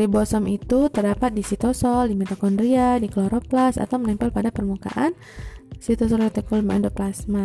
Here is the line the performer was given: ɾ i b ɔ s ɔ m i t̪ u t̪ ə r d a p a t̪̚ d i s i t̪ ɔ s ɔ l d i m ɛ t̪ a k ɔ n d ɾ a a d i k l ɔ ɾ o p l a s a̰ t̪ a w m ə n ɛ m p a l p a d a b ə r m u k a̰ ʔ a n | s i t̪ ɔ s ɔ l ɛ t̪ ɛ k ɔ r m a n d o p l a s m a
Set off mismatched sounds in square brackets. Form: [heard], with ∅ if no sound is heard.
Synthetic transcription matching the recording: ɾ i b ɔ s ɔ m i t̪ u t̪ ə r d a p a t̪̚ d i s i t̪ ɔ s ɔ l d i m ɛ t̪ a k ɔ n d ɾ [i] a d i k l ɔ ɾ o p l a s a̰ t̪ a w m ə n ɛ m p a l p a d a [p] ə r m u k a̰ ʔ a n | s i t̪ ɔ s ɔ l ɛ t̪ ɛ k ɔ [l] m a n d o p l a s m a